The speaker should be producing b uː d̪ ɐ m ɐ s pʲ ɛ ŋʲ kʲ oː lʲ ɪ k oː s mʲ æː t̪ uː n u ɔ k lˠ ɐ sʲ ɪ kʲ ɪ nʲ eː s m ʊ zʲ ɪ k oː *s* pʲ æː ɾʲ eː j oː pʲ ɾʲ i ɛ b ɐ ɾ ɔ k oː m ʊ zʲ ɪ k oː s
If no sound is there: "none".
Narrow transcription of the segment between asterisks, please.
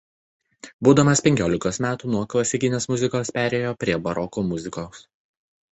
s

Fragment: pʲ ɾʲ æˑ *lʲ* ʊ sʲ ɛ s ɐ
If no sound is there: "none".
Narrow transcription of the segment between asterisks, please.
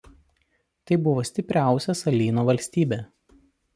none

